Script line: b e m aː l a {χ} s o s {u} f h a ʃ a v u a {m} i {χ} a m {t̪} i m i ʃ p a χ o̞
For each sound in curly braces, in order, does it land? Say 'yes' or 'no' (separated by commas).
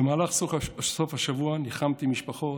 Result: yes, no, no, yes, yes